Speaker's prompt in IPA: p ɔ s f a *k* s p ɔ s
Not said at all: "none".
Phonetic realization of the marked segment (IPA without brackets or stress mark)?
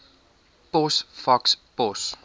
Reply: k